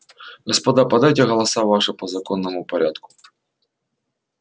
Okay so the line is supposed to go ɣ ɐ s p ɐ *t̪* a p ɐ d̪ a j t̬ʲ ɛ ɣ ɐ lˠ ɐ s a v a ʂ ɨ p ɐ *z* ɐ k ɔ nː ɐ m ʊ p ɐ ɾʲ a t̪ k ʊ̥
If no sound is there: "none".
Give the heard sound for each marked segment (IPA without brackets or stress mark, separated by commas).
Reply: d̪, z